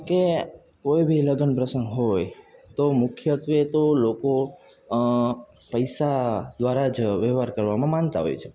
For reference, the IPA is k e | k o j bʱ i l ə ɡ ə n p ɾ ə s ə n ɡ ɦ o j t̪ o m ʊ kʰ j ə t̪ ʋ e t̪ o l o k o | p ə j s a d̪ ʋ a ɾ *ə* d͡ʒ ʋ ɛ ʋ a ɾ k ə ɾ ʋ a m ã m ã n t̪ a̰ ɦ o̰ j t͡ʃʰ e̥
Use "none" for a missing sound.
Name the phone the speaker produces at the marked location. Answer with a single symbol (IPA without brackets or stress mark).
a